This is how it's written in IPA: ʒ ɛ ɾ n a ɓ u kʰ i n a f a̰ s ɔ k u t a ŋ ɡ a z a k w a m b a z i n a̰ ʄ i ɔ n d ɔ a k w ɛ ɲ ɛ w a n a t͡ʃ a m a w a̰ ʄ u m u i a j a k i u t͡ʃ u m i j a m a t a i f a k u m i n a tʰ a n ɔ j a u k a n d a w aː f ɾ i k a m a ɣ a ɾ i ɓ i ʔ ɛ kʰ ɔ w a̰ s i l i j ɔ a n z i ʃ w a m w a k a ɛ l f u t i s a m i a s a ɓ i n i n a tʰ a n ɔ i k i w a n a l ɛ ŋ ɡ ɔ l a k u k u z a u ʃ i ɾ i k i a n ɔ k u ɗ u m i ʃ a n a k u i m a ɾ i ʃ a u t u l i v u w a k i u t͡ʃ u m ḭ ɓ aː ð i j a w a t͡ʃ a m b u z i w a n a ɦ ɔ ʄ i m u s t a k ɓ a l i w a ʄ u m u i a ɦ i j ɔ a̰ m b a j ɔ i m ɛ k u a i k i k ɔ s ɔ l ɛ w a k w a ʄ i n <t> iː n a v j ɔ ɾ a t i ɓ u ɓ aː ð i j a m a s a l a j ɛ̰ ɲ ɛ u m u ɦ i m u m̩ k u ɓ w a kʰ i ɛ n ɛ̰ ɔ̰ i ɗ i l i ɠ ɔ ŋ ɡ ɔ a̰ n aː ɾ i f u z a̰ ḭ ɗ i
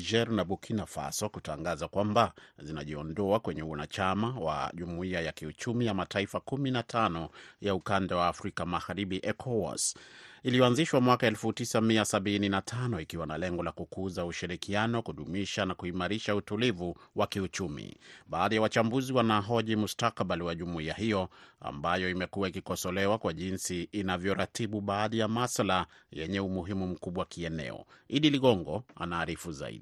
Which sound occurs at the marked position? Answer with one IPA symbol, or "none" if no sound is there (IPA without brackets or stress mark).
s